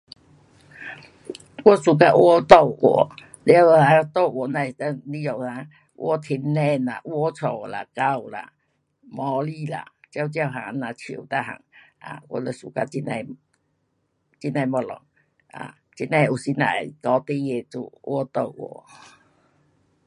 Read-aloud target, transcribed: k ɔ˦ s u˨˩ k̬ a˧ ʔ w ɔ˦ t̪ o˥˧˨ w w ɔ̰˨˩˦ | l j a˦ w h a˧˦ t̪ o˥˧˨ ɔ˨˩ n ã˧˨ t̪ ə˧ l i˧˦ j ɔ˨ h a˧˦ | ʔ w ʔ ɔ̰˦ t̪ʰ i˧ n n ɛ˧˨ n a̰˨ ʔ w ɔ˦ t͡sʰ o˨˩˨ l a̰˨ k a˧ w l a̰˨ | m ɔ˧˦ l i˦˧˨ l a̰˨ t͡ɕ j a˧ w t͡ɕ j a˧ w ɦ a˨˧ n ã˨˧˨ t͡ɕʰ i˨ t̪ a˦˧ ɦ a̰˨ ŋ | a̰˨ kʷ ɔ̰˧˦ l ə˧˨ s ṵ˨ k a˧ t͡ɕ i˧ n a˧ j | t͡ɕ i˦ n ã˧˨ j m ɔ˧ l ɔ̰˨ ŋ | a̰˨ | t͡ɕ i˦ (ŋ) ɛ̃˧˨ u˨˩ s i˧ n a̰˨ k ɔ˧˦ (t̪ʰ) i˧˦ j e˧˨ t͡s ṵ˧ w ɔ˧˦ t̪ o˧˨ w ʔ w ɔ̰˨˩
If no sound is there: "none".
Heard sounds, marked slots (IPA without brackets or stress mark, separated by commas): n, t̪